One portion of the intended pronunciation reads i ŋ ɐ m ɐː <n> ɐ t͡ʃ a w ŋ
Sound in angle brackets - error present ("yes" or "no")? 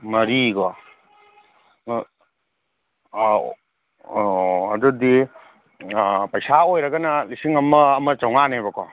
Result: yes